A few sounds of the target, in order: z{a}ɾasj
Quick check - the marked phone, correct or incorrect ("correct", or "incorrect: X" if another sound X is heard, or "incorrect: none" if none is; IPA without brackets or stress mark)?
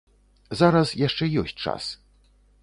correct